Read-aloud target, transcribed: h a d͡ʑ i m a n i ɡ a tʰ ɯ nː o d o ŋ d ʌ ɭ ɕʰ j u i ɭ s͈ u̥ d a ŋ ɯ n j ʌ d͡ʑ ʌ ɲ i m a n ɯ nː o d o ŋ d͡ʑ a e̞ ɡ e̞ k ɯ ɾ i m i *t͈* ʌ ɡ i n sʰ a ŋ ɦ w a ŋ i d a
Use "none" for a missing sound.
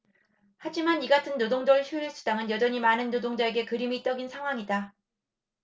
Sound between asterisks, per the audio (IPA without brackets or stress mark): t͈